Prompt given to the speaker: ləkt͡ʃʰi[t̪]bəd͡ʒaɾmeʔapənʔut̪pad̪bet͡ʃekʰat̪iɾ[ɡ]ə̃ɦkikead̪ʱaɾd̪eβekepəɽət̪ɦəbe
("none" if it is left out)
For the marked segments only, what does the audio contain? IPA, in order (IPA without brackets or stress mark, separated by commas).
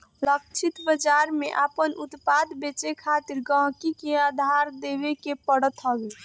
t̪, ɡ